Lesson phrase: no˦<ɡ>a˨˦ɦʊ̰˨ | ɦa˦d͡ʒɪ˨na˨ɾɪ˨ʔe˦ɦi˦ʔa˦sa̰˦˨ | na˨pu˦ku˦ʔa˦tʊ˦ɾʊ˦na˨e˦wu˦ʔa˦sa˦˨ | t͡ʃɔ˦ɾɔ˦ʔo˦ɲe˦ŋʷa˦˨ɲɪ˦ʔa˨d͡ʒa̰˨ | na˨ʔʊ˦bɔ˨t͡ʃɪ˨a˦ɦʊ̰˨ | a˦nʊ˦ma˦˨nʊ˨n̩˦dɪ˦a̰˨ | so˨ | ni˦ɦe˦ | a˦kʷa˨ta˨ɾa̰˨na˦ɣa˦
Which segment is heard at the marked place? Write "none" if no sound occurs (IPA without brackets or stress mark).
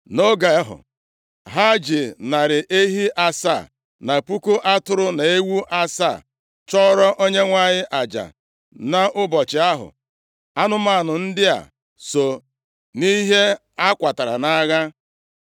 ɡ